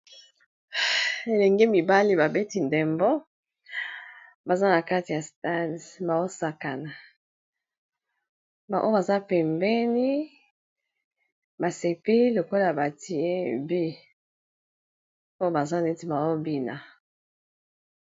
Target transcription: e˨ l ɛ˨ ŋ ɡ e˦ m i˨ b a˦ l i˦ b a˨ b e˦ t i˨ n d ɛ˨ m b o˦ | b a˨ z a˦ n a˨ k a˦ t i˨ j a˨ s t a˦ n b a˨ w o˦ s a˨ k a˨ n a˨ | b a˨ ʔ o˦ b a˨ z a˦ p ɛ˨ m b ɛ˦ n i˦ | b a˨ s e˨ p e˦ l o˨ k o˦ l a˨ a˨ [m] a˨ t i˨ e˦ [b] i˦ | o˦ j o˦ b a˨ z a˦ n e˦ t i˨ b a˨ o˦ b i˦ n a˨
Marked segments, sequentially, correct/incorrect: incorrect: b, correct

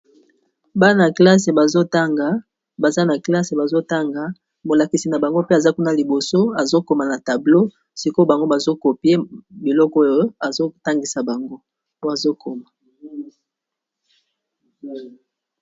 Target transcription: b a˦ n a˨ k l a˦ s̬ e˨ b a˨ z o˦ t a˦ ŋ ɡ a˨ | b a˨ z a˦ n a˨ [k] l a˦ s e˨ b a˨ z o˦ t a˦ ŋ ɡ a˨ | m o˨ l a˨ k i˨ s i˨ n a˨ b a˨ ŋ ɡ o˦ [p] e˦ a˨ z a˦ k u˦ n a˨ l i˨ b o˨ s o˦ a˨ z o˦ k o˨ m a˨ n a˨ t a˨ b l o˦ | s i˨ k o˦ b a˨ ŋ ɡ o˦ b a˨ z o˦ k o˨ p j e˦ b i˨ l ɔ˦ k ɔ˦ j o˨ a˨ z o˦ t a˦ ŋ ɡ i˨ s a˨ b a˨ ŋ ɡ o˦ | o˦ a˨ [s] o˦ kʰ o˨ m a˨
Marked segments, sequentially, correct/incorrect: correct, correct, incorrect: z

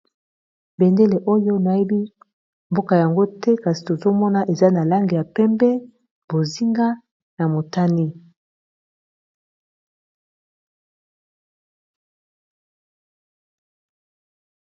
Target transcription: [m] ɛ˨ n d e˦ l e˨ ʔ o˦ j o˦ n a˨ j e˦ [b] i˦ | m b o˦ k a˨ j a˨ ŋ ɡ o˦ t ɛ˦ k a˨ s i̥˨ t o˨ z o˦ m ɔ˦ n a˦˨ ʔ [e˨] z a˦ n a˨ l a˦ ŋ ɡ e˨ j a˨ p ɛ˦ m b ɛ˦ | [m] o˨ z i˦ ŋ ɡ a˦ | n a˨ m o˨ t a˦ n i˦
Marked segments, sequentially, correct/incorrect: incorrect: b, correct, correct, incorrect: b

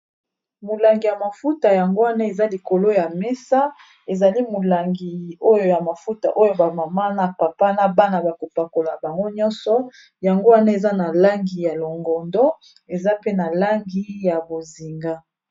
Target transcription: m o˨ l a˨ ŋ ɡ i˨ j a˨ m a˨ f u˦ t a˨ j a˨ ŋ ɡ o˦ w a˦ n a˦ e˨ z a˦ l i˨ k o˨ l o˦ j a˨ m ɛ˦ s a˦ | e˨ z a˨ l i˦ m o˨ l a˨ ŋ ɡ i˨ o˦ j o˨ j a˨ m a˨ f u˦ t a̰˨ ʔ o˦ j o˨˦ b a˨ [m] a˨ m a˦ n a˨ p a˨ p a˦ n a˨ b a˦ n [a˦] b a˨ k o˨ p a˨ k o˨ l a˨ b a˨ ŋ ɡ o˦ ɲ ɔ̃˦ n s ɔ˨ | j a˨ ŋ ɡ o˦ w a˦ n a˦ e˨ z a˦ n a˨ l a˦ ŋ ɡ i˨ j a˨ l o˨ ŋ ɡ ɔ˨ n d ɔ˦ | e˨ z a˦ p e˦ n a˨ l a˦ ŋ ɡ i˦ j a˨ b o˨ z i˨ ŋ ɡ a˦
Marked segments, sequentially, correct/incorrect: correct, incorrect: a˨

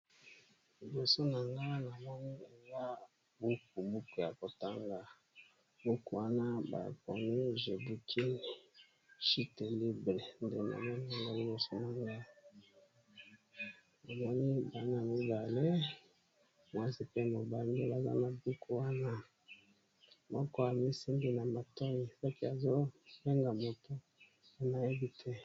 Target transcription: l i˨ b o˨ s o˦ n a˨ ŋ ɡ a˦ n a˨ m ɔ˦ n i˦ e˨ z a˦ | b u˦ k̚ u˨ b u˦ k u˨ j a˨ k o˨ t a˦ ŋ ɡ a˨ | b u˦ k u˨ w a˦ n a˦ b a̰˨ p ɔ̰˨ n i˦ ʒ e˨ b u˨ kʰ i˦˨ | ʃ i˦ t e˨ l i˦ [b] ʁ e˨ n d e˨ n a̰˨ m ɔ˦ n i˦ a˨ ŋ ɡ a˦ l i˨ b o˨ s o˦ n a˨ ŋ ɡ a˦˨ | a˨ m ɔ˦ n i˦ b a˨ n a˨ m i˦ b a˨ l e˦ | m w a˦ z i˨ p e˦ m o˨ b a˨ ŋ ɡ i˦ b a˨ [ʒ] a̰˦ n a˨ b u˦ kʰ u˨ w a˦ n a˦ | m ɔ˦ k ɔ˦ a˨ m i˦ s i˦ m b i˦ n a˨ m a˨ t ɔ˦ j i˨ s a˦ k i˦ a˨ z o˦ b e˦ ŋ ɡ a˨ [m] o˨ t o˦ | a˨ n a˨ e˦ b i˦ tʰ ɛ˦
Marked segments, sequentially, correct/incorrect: correct, incorrect: z, correct

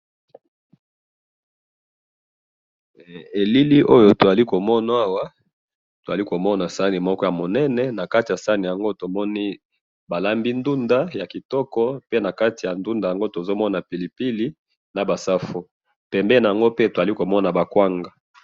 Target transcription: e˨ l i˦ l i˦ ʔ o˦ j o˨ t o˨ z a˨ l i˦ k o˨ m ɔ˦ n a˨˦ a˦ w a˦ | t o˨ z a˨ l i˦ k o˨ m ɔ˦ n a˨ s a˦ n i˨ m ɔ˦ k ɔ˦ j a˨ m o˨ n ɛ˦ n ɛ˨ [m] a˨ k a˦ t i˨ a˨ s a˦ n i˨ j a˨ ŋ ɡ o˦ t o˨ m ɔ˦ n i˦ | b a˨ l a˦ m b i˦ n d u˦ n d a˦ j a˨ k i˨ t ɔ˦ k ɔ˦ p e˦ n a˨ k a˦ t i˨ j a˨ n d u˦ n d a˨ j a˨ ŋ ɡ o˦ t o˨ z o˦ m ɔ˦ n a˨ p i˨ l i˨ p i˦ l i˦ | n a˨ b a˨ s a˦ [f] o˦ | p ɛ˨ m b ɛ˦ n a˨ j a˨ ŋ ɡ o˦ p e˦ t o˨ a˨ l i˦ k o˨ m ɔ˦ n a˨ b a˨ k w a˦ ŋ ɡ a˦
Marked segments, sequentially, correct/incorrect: incorrect: n, correct

